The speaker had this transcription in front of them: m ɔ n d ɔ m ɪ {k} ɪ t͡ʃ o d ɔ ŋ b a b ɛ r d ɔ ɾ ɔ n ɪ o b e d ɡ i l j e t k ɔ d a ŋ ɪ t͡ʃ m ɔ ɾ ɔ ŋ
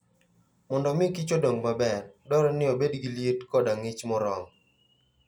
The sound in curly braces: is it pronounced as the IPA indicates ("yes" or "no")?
yes